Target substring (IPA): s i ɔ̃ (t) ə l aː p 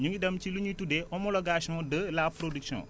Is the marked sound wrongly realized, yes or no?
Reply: yes